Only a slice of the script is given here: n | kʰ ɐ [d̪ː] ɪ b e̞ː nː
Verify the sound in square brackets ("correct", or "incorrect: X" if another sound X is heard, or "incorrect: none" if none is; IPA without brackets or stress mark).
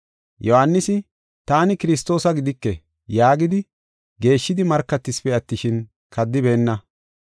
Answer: correct